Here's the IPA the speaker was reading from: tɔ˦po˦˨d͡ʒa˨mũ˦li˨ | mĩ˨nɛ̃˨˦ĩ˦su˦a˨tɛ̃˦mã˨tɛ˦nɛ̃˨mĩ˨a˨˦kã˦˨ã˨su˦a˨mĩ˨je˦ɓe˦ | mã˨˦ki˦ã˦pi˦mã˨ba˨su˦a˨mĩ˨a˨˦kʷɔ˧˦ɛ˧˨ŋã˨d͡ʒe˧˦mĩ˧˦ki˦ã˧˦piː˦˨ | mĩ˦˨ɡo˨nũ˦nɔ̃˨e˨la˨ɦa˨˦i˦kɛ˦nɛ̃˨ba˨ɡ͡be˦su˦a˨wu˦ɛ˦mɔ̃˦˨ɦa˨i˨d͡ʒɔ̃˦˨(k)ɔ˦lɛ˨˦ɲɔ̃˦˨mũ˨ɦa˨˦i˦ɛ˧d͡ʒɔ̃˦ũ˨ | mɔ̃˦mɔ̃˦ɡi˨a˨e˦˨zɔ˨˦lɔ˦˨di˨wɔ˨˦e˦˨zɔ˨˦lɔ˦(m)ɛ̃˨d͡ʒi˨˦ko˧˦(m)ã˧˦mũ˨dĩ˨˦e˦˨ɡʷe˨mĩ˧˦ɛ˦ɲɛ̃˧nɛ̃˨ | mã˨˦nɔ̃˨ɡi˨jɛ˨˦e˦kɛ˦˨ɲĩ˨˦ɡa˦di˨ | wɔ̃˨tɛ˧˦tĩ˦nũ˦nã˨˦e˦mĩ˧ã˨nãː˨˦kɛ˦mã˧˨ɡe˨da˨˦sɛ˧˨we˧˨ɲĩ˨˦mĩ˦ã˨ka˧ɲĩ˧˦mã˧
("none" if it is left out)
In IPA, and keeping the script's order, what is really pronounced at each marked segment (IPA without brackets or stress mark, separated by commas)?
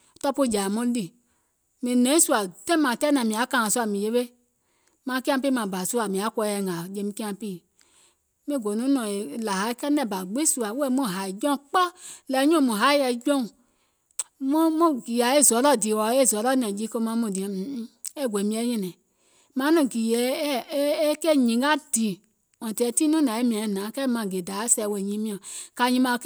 k͡p, n, m